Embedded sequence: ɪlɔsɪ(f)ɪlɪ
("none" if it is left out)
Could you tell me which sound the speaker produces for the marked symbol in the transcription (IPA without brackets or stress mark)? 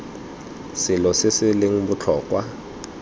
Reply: s